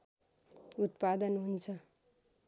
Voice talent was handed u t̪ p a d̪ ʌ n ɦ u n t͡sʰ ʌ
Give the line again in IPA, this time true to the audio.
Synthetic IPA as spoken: u t̪ p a d̪ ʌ n ɦ u n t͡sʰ ʌ